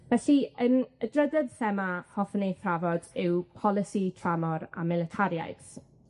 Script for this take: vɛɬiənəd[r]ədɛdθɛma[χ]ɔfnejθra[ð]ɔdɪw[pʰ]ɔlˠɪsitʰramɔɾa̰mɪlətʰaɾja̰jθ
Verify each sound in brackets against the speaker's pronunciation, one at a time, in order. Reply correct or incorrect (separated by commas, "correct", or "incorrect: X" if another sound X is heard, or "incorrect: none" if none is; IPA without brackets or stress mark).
correct, incorrect: h, incorrect: v, correct